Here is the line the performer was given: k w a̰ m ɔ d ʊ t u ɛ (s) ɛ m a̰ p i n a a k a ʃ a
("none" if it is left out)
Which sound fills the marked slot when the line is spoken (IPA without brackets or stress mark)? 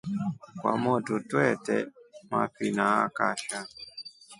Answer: t